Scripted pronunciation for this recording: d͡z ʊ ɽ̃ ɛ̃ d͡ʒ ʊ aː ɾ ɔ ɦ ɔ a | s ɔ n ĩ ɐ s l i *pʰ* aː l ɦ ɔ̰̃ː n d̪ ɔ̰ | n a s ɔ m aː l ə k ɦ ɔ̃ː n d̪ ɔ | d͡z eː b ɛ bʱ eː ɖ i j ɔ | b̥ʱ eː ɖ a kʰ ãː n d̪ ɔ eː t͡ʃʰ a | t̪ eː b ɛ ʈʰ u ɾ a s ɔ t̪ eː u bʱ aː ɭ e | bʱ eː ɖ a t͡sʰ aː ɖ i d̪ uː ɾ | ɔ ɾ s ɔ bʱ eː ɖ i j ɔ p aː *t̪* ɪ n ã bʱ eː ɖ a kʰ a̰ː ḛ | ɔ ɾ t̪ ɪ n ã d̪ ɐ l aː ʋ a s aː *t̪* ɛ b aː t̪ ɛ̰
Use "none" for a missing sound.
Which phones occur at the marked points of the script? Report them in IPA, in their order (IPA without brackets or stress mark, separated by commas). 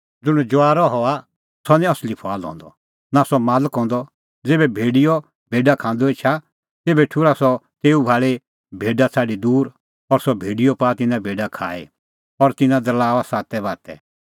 pʰ, t̪, t̪